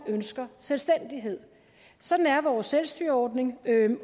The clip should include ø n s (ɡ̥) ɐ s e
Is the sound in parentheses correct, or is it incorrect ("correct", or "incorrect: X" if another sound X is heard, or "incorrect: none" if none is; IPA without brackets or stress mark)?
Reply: correct